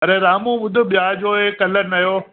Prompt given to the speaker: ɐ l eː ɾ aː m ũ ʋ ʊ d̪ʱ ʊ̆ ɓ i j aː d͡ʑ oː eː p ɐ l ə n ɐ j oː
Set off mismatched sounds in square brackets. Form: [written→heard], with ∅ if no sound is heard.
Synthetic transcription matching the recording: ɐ [l→ɾ] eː ɾ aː m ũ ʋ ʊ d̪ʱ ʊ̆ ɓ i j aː d͡ʑ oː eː [p→k] ɐ l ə n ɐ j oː